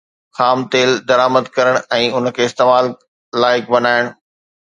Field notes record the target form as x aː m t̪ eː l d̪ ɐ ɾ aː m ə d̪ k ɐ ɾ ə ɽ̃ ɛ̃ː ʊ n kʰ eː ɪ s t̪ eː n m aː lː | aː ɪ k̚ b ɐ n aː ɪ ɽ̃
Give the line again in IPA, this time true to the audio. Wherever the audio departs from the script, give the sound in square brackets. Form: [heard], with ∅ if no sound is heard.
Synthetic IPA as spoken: x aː m t̪ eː l d̪ ɐ ɾ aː m ə d̪ k ɐ ɾ ə ɽ̃ ɛ̃ː ʊ n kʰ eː ɪ s t̪ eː [∅] m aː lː | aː ɪ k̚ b ɐ n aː ɪ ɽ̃